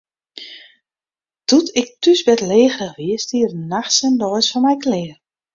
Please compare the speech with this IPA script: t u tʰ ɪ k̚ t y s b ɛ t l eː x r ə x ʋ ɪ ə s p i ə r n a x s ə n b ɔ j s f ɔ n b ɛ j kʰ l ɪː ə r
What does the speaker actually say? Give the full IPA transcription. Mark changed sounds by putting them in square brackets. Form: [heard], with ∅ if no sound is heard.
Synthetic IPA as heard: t u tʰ ɪ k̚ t y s b ɛ t l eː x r ə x ʋ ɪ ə s [t] i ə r n a x s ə n [d] ɔ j s f ɔ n [m] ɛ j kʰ l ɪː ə r